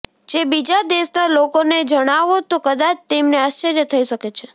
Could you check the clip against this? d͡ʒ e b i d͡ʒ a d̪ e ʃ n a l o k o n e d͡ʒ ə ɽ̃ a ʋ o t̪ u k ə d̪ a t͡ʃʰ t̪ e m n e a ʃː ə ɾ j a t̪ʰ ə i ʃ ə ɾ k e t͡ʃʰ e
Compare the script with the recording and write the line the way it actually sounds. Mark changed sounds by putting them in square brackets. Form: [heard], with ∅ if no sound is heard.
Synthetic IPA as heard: d͡ʒ e b i d͡ʒ a d̪ e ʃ n a l o k o n e d͡ʒ ə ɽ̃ a ʋ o t̪ [o] k ə d̪ a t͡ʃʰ t̪ e m n e a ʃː ə ɾ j [ə] t̪ʰ ə i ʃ ə [∅] k e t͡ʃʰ e